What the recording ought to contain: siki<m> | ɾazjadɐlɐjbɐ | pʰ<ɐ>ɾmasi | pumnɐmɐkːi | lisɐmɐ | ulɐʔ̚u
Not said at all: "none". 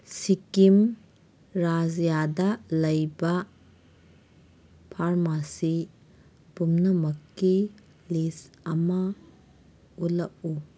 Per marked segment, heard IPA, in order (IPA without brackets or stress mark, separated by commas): m, a